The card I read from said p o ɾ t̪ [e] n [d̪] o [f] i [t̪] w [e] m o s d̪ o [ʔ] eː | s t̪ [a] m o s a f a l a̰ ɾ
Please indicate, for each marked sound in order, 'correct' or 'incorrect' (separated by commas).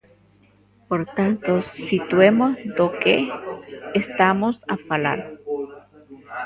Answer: incorrect, incorrect, incorrect, correct, correct, incorrect, correct